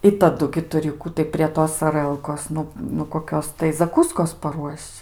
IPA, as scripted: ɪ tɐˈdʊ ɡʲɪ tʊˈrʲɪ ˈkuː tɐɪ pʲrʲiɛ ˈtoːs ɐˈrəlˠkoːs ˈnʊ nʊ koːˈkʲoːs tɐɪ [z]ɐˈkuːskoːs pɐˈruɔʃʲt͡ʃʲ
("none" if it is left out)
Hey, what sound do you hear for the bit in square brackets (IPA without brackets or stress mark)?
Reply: z